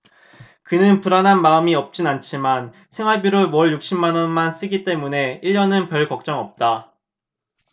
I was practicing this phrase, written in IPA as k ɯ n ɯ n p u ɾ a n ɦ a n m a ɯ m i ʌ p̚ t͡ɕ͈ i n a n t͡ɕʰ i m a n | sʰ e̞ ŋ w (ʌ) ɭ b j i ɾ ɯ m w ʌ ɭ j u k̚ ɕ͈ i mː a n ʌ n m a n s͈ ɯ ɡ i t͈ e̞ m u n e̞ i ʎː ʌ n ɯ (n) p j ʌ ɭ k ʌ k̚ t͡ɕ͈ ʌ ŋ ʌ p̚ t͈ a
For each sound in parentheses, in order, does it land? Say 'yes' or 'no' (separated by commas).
no, yes